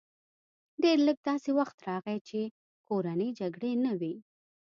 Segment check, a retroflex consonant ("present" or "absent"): present